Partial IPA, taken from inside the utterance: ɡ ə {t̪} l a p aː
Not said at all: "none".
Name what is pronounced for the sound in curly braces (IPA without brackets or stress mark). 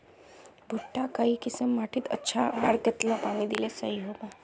t̪